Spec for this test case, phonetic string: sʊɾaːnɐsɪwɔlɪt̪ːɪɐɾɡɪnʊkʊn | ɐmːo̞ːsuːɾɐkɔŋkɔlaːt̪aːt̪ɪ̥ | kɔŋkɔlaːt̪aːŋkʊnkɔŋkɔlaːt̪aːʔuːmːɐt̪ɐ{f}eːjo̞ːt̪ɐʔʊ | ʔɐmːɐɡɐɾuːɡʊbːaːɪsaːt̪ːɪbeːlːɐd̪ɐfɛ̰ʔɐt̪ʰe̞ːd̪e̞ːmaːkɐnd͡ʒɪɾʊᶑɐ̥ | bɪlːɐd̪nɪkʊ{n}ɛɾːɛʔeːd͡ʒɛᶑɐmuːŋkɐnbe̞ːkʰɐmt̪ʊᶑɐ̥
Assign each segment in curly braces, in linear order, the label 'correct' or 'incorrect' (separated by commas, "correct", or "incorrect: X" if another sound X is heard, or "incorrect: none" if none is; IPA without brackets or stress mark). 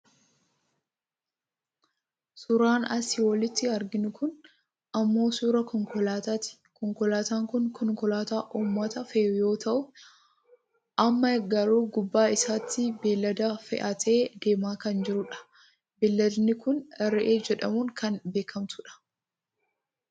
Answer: correct, correct